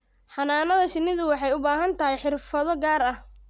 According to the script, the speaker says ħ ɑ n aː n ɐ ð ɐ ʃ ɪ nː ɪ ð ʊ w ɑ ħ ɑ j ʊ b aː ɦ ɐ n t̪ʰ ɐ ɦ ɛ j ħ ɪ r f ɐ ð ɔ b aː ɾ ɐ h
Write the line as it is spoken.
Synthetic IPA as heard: ħ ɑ n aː n ɐ ð ɐ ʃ ɪ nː ɪ ð ʊ w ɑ ħ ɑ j ʊ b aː ɦ ɐ n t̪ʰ ɐ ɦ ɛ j ħ ɪ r f ɐ ð ɔ ɡ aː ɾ ɐ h